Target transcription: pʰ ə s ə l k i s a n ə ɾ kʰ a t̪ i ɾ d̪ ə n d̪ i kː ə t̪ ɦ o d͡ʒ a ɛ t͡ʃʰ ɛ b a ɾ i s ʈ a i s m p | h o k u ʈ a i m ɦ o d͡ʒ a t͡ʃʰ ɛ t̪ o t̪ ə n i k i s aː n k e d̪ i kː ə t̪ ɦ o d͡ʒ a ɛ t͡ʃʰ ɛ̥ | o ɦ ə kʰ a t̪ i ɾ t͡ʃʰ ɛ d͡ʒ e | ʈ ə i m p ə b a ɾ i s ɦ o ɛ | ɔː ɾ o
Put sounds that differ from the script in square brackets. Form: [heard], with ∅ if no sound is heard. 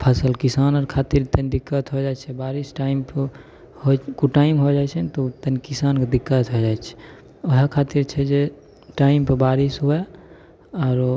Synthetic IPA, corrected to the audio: pʰ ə s ə l k i s a n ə ɾ kʰ a t̪ i ɾ [t̪] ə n d̪ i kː ə t̪ ɦ o d͡ʒ a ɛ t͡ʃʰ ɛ b a ɾ i s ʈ a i [∅] m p | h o k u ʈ a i m ɦ o d͡ʒ a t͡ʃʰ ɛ t̪ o t̪ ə n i k i s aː n k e d̪ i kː ə t̪ ɦ o d͡ʒ a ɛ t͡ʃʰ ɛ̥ | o ɦ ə kʰ a t̪ i ɾ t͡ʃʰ ɛ d͡ʒ e | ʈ [a] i m p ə b a ɾ i s ɦ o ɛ | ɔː ɾ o